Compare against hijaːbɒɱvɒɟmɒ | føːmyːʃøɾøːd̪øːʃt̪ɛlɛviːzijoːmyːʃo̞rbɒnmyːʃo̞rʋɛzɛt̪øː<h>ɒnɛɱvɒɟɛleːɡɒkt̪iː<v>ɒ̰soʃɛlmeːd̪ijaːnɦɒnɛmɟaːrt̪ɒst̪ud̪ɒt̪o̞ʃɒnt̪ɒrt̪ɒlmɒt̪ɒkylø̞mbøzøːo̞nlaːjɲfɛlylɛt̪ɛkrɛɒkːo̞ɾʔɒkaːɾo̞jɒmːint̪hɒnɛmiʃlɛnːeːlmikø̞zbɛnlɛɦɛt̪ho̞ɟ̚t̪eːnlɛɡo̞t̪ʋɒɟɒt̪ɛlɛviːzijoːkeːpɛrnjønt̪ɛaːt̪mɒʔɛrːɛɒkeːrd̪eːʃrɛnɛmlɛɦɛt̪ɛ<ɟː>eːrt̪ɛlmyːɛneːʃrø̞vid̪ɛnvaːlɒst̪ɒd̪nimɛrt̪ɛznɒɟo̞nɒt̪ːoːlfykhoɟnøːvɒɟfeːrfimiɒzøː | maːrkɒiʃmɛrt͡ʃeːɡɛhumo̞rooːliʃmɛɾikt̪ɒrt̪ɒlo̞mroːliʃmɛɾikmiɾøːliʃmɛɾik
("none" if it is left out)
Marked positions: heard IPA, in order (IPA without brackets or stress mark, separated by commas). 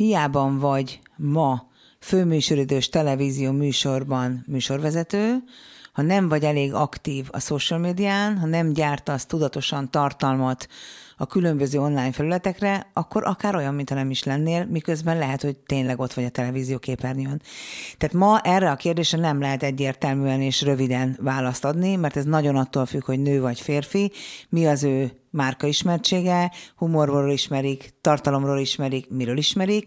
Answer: h, v, ɟː